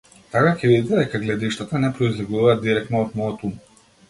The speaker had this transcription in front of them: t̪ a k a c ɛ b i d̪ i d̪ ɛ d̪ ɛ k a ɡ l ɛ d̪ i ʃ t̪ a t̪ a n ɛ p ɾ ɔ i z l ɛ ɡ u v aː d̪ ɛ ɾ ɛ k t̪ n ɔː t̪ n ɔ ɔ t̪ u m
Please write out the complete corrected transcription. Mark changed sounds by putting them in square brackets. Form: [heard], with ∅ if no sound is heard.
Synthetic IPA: t̪ a k a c ɛ [v] i d̪ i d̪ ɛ d̪ ɛ k a ɡ l ɛ d̪ i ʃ t̪ a t̪ a n ɛ p ɾ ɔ i z l ɛ ɡ u v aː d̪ [i] ɾ ɛ k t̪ n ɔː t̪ [m] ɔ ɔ t̪ u m